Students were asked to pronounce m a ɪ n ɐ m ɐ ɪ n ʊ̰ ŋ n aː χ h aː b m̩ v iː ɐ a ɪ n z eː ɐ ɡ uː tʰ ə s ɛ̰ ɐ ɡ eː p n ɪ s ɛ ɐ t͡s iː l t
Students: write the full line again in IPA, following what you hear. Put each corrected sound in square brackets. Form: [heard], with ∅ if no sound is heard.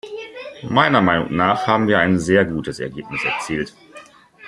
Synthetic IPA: m a ɪ n ɐ m [a] ɪ n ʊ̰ ŋ n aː χ h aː b m̩ v iː ɐ a ɪ n z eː ɐ ɡ uː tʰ ə s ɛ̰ ɐ ɡ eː p n ɪ s ɛ ɐ t͡s iː l t